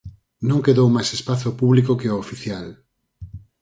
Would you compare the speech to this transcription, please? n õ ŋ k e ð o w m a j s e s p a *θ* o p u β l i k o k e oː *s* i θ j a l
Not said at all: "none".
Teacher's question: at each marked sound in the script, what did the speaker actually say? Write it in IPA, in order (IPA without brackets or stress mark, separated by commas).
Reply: θ, f